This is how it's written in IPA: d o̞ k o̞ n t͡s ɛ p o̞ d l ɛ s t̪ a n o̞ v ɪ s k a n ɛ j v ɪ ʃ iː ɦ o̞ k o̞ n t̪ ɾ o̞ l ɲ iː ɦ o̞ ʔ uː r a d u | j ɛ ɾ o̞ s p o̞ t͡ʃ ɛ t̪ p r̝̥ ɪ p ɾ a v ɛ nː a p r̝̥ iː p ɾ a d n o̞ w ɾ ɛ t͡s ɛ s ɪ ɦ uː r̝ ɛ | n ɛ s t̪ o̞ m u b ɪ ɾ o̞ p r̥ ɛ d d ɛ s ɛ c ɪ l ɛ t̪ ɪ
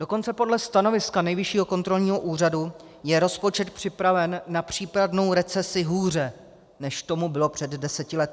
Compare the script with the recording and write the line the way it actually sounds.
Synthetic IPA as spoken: d o̞ k o̞ n t͡s ɛ p o̞ d l ɛ s t̪ a n o̞ v ɪ s k a n ɛ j v ɪ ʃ iː ɦ o̞ k o̞ n t̪ ɾ o̞ l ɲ iː ɦ o̞ ʔ uː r a d u | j ɛ ɾ o̞ s p o̞ t͡ʃ ɛ t̪ p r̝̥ ɪ p ɾ a v ɛ nː a p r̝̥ iː p ɾ a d n o̞ w ɾ ɛ t͡s ɛ s ɪ ɦ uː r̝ ɛ | n ɛ ʃ t̪ o̞ m u b ɪ l o̞ p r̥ ɛ d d ɛ s ɛ c ɪ l ɛ t̪ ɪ